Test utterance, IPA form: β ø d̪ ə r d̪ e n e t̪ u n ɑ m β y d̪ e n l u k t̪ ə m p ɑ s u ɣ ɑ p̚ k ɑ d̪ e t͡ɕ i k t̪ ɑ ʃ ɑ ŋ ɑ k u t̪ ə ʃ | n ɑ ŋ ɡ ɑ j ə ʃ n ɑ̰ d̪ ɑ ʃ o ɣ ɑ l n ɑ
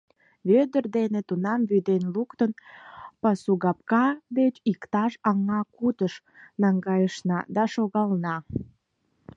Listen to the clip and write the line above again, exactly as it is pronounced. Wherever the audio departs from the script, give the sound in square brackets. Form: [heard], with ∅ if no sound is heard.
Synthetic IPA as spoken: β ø d̪ ə r d̪ e n e t̪ u n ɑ m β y d̪ e n l u k t̪ ə [n] p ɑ s u ɣ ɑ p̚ k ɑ d̪ e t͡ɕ i k t̪ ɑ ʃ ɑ ŋ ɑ k u t̪ ə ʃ | n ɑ ŋ ɡ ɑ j ə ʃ n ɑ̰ d̪ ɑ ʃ o ɣ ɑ l n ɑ

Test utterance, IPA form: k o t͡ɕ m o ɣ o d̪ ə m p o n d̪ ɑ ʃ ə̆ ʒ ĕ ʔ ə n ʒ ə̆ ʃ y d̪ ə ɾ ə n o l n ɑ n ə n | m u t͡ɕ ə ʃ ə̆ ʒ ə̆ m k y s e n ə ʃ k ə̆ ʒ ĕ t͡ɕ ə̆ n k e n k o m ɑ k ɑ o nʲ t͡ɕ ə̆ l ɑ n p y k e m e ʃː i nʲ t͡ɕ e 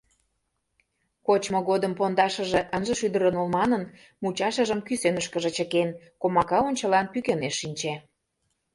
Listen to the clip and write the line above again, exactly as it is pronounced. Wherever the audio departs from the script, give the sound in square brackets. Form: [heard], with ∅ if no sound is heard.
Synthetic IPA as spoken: k o t͡ɕ m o ɣ o d̪ ə m p o n d̪ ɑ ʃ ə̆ ʒ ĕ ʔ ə n ʒ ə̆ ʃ y d̪ ə ɾ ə n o l [m] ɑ n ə n | m u t͡ɕ [ɑ] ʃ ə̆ ʒ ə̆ m k y s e n ə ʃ k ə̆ ʒ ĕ t͡ɕ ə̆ [∅] k e n k o m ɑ k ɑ o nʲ t͡ɕ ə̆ l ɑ n p y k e [n] e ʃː i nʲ t͡ɕ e

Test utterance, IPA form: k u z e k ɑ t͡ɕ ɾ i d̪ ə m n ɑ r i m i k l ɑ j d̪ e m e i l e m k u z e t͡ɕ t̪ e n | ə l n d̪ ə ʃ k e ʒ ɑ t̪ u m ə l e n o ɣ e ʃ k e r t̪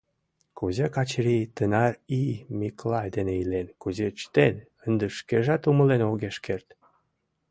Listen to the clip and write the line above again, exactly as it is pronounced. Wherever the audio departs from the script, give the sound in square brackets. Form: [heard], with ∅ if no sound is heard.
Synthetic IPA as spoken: k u z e k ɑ t͡ɕ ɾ i [t̪] ə [∅] n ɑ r i m i k l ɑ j d̪ e [n] e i l e [n] k u z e t͡ɕ t̪ e n | ə [∅] n d̪ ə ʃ k e ʒ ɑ t̪ u m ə l e n o ɣ e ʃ k e r t̪

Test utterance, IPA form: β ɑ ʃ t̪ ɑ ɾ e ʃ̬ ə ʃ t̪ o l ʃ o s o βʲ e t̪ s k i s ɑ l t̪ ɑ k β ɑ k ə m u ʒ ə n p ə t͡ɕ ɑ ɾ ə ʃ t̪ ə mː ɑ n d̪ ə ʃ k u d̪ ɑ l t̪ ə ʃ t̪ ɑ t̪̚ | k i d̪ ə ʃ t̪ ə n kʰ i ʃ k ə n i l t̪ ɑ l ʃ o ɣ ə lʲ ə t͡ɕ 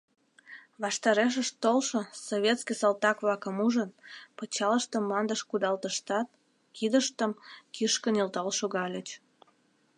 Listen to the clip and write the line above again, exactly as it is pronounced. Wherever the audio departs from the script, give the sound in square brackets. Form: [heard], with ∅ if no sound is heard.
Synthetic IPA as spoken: β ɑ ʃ t̪ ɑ ɾ e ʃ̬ ə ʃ t̪ o l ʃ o s o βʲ e t̪ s k i s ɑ l t̪ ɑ k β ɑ k ə m u ʒ ə n p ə t͡ɕ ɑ [l] ə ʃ t̪ ə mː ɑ n d̪ ə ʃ k u d̪ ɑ l t̪ ə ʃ t̪ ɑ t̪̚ | k i d̪ ə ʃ t̪ ə [m] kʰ i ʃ k ə n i l t̪ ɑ l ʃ o ɣ [ɑ] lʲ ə t͡ɕ

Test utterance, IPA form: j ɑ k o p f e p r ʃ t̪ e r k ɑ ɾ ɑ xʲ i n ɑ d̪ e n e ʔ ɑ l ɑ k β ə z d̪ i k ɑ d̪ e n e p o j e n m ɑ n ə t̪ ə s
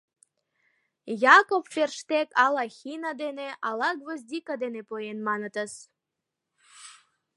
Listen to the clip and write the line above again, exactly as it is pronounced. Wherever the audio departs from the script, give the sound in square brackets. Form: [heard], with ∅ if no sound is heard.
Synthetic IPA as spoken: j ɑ k o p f e [∅] r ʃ t̪ e [∅] k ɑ [l] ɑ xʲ i n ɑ d̪ e n e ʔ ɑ l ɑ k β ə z d̪ i k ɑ d̪ e n e p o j e n m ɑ n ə t̪ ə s

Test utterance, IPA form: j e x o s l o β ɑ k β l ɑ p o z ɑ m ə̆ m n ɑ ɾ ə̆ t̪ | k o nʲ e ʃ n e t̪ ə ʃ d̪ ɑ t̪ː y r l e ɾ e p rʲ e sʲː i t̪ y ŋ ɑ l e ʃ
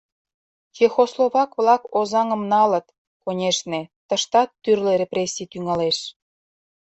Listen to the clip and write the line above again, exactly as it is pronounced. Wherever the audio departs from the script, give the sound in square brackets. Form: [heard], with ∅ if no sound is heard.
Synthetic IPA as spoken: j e x o s l o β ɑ k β l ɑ [k] o z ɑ [ŋ] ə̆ m n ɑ [l] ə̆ t̪ | k o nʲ e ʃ n e t̪ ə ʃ [t̪] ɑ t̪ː y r l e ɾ e p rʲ e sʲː i t̪ y ŋ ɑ l e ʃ

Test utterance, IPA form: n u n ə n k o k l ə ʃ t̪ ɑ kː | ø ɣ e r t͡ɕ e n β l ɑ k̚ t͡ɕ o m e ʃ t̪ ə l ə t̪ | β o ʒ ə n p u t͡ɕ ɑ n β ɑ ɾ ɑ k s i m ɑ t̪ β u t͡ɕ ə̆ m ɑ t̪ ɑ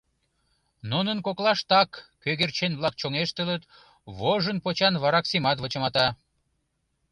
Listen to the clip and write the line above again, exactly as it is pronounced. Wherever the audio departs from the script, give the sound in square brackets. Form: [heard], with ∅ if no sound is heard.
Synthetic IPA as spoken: n u n ə n k o k l [ɑ] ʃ t̪ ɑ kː | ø ɣ e r t͡ɕ e n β l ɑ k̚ t͡ɕ o [ŋ] e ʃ t̪ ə l ə t̪ | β o ʒ ə n p [o] t͡ɕ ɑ n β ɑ ɾ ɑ k s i m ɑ t̪ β [o] t͡ɕ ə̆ m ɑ t̪ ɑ

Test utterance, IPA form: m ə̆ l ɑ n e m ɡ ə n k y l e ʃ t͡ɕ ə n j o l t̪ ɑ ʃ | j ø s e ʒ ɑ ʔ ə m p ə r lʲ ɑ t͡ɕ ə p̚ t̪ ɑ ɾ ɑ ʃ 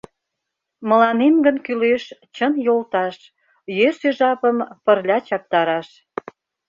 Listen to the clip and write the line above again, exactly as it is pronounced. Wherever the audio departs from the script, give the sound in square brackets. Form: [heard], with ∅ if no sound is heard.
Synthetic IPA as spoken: m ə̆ l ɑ n e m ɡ ə n k y l e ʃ t͡ɕ ə n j o l t̪ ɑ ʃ | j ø s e ʒ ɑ [p] ə m p ə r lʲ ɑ t͡ɕ [ɑ] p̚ t̪ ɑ ɾ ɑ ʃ

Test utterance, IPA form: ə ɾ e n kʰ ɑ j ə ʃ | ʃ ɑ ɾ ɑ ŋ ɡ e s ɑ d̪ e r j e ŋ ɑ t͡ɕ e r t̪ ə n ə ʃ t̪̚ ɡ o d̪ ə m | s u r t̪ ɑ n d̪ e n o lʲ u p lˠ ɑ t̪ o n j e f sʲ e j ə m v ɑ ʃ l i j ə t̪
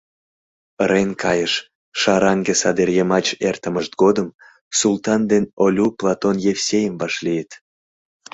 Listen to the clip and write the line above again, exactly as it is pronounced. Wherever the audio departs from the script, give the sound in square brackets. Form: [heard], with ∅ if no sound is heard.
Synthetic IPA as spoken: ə ɾ e n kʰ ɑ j ə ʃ | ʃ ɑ ɾ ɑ ŋ ɡ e s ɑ d̪ e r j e [m] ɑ t͡ɕ e r t̪ ə [m] ə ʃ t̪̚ ɡ o d̪ ə m | s u [l] t̪ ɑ n d̪ e n o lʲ u p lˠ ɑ t̪ o n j e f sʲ e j ə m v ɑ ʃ l i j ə t̪

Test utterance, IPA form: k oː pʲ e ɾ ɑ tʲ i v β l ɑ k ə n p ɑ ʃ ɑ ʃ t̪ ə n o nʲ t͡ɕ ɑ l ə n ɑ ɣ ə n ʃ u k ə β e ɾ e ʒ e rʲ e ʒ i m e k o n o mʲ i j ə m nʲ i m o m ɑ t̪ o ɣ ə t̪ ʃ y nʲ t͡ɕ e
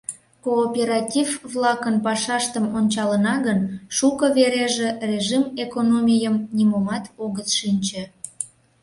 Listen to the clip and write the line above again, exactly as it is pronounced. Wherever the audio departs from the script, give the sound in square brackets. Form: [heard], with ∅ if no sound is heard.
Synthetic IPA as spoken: k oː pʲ e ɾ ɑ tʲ i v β l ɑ k ə n p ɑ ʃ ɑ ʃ t̪ ə [m] o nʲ t͡ɕ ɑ l ə n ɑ ɣ ə n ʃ u k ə β e ɾ e ʒ e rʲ e ʒ i m e k o n o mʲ i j ə m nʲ i m o m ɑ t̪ o ɣ ə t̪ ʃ [i] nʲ t͡ɕ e

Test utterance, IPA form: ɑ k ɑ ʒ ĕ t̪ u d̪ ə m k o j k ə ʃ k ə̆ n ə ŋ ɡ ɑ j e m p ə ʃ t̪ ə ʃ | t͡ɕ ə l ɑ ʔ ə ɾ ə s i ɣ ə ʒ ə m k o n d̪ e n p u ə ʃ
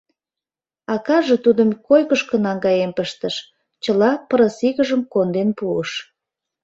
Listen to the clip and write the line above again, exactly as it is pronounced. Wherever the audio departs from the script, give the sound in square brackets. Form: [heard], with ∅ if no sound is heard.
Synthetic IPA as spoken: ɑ k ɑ ʒ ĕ t̪ u d̪ ə m k o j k ə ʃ k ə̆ n [ɑ] ŋ ɡ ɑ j e m p ə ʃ t̪ ə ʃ | t͡ɕ ə l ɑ [p] ə ɾ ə s i ɣ ə ʒ ə m k o n d̪ e n p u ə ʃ

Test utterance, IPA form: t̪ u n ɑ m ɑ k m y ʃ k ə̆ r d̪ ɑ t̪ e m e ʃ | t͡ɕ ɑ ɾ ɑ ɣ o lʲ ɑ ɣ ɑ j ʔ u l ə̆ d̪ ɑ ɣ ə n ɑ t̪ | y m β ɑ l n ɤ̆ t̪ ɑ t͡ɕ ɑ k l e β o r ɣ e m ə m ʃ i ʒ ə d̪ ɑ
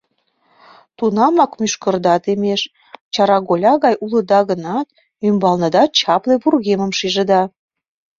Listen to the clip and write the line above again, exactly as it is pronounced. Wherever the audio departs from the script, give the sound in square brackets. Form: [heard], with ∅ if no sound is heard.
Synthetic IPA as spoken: t̪ u n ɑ m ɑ k m y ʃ k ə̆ r d̪ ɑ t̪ e m e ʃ | t͡ɕ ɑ ɾ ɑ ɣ o lʲ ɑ ɣ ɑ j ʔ u l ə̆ d̪ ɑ ɣ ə n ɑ t̪ | y m [b] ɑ l n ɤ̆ [d̪] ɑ t͡ɕ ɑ [p] l e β [u] r ɣ e m ə m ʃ i ʒ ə d̪ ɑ

